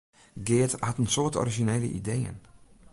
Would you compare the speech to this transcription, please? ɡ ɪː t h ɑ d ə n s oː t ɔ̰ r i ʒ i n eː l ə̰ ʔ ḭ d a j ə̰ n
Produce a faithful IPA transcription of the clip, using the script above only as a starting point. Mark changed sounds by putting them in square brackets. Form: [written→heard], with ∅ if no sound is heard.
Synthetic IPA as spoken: ɡ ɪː t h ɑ [d→t] ə n s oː t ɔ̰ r i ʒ i n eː l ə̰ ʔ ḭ d [a→e] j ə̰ n